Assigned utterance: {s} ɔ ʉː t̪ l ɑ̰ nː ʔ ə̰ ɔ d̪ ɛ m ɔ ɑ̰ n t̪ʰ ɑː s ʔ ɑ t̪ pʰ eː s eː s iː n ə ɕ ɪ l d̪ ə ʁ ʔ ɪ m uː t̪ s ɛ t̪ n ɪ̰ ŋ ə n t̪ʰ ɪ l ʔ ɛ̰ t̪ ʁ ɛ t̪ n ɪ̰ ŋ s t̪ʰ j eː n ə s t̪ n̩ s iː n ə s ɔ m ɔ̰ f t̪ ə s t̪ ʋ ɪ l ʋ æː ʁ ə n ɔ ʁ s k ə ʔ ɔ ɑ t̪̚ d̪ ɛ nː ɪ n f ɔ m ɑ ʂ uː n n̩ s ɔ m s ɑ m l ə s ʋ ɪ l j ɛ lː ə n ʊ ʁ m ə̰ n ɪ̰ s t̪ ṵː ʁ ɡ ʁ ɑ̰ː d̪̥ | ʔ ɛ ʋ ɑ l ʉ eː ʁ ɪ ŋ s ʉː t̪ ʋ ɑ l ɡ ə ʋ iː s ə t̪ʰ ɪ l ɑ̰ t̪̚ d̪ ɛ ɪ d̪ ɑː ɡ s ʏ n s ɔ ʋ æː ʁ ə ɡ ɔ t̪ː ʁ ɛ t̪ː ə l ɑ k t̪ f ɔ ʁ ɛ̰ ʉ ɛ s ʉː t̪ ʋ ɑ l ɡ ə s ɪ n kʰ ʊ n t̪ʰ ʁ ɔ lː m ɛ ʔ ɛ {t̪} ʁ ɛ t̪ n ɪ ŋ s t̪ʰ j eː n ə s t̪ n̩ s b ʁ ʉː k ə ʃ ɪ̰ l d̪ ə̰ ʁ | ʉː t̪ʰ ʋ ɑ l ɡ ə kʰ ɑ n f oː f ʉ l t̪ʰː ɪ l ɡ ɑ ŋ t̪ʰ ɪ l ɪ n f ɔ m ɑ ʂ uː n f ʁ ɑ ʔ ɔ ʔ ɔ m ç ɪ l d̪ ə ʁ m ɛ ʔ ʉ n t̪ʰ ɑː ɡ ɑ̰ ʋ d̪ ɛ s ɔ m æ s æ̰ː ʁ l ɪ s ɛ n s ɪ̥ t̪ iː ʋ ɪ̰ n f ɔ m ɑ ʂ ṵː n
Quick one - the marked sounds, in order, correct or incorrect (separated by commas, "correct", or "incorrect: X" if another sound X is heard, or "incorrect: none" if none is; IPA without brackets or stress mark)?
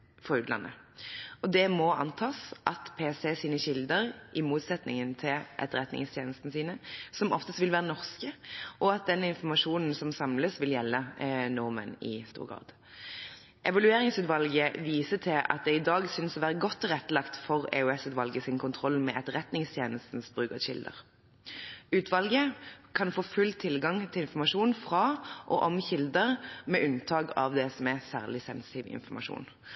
incorrect: f, correct